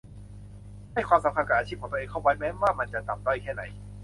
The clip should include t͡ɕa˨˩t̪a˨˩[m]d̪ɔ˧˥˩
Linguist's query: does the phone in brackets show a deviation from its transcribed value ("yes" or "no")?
no